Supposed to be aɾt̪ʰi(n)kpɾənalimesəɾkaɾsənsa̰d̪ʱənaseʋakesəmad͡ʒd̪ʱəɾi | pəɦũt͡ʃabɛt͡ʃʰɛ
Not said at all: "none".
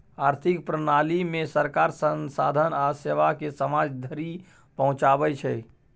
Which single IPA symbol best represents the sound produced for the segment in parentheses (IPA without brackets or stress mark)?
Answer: none